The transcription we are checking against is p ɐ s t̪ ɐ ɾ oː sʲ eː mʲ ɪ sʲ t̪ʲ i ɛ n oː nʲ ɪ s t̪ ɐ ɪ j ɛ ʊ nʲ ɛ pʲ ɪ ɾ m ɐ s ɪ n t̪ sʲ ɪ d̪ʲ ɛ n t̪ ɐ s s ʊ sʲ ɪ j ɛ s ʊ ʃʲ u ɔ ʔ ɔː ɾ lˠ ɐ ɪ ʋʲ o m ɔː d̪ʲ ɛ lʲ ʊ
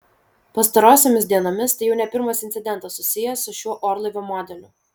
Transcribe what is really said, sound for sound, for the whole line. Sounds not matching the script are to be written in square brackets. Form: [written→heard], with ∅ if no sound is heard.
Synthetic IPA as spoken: p ɐ s t̪ ɐ ɾ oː sʲ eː mʲ ɪ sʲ [t̪ʲ→d̪ʲ] i ɛ n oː [nʲ→mʲ] ɪ s t̪ ɐ ɪ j ɛ ʊ nʲ ɛ pʲ ɪ ɾ m ɐ s ɪ n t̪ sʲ ɪ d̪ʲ ɛ n t̪ ɐ s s ʊ sʲ ɪ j ɛ s ʊ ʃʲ u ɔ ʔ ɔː ɾ lˠ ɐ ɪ ʋʲ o m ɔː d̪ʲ ɛ lʲ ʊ